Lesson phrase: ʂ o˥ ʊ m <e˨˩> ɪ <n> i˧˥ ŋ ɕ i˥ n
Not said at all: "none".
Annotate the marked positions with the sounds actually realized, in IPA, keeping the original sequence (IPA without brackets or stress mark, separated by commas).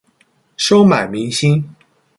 a˨˩, m